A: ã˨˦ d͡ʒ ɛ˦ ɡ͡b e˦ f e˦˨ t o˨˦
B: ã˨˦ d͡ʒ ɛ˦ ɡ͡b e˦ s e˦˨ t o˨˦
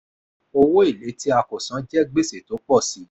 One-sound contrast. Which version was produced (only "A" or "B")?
B